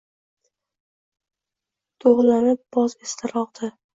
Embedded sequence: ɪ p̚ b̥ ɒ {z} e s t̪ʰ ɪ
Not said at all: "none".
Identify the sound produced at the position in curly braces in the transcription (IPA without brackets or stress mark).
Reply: z